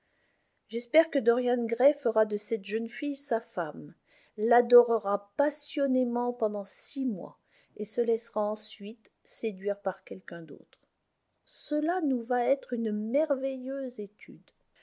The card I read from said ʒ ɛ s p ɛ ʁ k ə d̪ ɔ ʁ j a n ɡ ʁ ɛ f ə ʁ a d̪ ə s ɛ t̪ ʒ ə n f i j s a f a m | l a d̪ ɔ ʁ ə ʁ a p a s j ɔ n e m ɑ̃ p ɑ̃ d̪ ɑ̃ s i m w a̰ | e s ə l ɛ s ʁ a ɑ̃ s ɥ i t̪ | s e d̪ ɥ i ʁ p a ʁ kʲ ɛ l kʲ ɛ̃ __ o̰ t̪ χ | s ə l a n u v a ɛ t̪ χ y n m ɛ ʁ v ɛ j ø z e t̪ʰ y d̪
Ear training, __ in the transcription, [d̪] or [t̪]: d̪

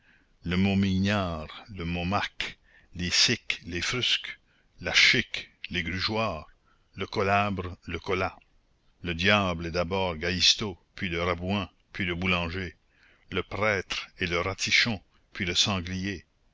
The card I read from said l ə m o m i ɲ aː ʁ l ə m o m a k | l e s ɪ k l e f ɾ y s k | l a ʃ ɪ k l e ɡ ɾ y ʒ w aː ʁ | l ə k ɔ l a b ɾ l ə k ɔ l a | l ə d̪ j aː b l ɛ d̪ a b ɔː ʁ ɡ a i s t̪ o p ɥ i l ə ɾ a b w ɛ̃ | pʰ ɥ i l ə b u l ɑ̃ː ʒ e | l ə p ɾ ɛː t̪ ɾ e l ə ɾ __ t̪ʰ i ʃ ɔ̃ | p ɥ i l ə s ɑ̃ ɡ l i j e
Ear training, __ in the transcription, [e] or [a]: a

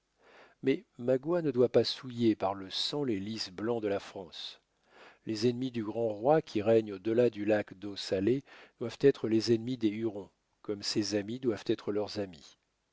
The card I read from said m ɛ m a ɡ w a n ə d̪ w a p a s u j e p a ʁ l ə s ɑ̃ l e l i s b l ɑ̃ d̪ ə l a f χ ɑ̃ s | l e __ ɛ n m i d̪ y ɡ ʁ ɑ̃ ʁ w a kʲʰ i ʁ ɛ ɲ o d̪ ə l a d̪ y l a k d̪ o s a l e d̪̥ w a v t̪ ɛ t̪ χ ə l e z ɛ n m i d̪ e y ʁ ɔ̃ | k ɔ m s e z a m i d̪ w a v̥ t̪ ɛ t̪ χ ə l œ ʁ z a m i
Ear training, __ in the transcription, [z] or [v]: z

